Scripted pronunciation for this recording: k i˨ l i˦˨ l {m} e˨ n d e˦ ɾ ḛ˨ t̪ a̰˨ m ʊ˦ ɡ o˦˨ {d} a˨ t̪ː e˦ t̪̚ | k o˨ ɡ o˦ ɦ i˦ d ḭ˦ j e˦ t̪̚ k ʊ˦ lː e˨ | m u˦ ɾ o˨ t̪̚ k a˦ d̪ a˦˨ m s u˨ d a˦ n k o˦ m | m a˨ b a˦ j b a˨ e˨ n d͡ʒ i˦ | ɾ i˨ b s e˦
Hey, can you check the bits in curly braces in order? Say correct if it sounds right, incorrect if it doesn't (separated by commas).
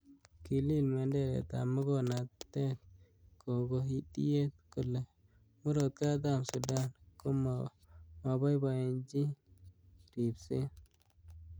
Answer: correct, incorrect